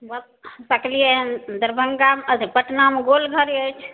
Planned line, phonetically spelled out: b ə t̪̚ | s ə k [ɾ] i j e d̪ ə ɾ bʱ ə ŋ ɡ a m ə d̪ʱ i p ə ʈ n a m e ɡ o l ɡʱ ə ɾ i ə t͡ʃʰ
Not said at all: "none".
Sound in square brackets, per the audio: l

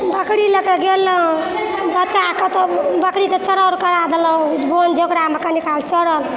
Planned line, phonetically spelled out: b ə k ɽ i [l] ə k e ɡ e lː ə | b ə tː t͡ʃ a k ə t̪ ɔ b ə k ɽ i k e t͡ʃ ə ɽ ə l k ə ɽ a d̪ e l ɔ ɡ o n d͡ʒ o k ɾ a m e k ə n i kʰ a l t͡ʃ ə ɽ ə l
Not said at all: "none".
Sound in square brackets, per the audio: l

